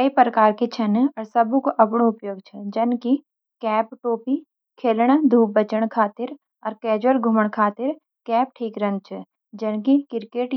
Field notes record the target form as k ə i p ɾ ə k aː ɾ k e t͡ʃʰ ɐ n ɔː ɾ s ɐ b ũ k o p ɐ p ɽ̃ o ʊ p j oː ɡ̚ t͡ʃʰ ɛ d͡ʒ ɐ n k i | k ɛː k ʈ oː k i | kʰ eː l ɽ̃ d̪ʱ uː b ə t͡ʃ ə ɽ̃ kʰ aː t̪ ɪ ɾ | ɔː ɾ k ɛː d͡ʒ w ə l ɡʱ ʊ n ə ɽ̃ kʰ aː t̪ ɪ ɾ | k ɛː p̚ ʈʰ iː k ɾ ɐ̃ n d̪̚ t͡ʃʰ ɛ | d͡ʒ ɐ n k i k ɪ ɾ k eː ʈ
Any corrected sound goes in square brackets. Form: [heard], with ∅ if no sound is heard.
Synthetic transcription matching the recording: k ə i p ɾ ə k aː ɾ k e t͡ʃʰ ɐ n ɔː ɾ s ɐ b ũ k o [ʔ] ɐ p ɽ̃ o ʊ p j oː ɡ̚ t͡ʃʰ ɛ d͡ʒ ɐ n k i | k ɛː [p] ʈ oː [p] i | kʰ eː l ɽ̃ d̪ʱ uː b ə t͡ʃ ə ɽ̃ kʰ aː t̪ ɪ ɾ | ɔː ɾ k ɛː d͡ʒ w ə l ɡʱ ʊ [m] ə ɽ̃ kʰ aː t̪ ɪ ɾ | k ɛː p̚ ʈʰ iː k ɾ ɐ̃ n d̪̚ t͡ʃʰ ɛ | d͡ʒ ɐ n k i k ɪ ɾ k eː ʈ